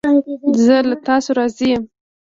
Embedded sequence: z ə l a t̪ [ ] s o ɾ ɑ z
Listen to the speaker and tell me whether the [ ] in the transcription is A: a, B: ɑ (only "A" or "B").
B